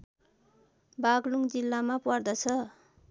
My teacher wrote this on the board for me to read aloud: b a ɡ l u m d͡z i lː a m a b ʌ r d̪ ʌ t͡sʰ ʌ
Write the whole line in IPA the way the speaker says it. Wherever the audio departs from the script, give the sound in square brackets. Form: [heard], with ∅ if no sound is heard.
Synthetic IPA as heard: b a ɡ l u [ŋ] d͡z i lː a m a [p] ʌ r d̪ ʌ t͡sʰ ʌ